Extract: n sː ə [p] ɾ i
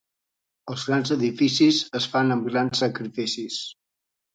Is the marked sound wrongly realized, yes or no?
yes